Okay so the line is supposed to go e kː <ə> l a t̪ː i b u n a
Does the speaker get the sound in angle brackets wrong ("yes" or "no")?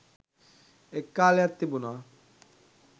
yes